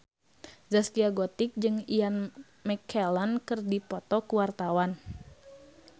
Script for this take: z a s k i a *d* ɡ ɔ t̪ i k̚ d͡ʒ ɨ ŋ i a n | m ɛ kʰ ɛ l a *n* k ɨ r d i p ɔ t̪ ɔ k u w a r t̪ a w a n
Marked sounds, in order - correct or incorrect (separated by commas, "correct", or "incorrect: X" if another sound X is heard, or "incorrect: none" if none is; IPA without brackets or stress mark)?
incorrect: none, correct